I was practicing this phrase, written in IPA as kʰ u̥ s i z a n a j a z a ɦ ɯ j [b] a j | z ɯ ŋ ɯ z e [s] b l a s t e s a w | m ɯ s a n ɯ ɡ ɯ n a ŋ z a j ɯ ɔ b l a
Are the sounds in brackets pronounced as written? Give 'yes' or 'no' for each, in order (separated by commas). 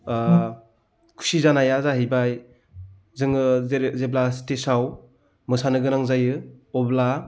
yes, no